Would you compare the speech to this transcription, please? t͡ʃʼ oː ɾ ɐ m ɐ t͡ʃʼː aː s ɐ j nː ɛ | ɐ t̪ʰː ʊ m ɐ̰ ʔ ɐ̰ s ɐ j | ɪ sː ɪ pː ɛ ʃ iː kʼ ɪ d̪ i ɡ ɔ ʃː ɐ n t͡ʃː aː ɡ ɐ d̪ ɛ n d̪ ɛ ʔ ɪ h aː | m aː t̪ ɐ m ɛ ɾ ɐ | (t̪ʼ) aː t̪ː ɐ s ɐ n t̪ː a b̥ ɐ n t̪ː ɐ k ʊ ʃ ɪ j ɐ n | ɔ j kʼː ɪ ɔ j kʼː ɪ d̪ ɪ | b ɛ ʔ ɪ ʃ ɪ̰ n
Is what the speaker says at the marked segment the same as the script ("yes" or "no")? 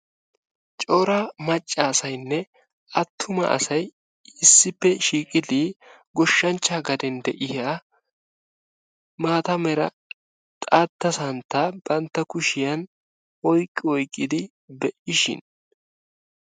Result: yes